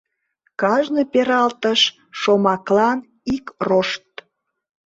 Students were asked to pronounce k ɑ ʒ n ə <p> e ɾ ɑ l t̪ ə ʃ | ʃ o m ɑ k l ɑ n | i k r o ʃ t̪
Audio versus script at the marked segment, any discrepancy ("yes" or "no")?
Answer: no